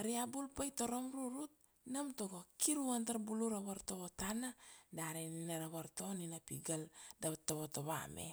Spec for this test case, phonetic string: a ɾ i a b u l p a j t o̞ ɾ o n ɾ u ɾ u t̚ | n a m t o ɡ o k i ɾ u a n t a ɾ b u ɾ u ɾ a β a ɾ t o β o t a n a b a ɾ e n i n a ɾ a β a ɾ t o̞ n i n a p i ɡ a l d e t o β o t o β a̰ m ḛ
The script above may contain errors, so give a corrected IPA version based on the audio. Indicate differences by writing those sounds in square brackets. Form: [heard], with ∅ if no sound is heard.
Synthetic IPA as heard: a ɾ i a b u l p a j t o̞ ɾ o [m] ɾ u ɾ u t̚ | n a m t o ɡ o k i ɾ u a n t a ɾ b u [l] u ɾ a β a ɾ t o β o t a n a [d] a ɾ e n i n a ɾ a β a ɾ t o̞ n i n a p i ɡ a l d [a] t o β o t o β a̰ m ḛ

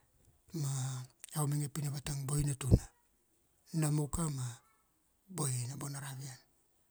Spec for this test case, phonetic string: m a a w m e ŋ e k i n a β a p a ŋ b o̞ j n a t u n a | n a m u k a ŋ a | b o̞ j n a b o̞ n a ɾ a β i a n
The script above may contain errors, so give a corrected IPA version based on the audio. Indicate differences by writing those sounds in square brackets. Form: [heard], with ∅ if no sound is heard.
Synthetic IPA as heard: m a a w m e ŋ e [p] i n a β a [t] a ŋ b o̞ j n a t u n a | n a m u k a [m] a | b o̞ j n a b o̞ n a ɾ a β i a n

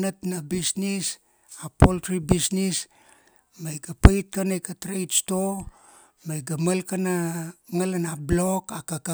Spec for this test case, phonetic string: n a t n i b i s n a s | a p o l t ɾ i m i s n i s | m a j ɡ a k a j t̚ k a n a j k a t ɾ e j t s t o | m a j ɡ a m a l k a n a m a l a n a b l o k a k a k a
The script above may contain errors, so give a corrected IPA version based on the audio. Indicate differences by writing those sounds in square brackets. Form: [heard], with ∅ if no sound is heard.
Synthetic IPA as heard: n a t n [a] b i s n [i] s | a p o l t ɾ i [b] i s n i s | m a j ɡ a [p] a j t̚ k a n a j k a t ɾ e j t s t o | m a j ɡ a m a l k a n a [ŋ] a l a n a b l o k a k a k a

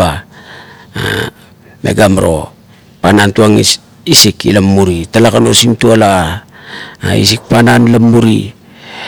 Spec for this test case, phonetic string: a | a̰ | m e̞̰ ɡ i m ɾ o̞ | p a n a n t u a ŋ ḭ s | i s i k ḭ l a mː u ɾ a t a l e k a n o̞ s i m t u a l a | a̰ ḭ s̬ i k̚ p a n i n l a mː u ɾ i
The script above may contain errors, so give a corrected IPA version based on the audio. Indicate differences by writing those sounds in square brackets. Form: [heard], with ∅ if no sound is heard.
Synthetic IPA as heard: a | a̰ | m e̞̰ ɡ [a] m ɾ o̞ | p a n a n t u a ŋ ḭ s | i s i k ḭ l a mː u ɾ [i] t a l [a] k a n o̞ s i m t u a l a | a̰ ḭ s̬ i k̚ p a n [a] n l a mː u ɾ i

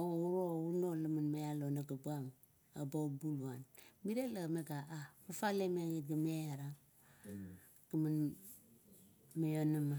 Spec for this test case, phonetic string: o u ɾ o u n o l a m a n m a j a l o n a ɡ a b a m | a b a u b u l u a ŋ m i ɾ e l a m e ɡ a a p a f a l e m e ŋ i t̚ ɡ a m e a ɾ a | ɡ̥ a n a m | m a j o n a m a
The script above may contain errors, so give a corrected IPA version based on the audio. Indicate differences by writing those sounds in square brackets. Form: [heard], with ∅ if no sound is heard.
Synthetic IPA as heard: o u ɾ o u n o l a m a n m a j a l o n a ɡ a b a m | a b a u b u l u a [n] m i ɾ e l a m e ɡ a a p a f a l e m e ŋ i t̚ ɡ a m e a ɾ a | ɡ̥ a [m] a [n] | m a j o n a m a

